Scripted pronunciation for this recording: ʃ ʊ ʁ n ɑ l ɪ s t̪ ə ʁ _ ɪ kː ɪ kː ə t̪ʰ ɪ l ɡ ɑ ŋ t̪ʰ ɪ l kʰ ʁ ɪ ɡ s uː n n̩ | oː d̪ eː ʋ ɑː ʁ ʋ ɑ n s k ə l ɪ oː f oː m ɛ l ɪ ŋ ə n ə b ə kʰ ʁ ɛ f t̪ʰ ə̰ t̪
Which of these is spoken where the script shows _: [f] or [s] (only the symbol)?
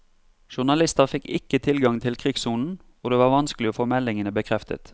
f